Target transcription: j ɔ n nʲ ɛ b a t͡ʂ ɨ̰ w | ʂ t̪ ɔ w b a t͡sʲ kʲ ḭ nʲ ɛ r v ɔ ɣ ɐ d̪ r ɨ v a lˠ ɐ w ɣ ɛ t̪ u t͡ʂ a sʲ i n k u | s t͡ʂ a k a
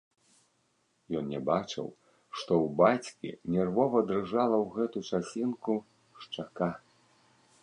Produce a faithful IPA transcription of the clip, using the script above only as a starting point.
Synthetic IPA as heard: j ɔ n nʲ ɛ b a t͡ʂ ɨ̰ w | ʂ t̪ ɔ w b a t͡sʲ kʲ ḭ nʲ ɛ r v ɔ v ɐ d̪ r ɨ ʐ a lˠ ɐ w ɣ ɛ t̪ u t͡ʂ a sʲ i n k u | ʂ t͡ʂ a k a